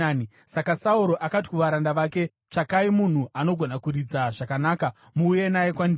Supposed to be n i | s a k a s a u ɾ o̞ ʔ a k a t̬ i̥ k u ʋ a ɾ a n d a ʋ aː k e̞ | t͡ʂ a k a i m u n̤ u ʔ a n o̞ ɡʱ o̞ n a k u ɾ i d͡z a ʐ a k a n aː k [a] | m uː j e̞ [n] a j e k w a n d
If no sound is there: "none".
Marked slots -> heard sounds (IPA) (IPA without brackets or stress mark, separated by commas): a, n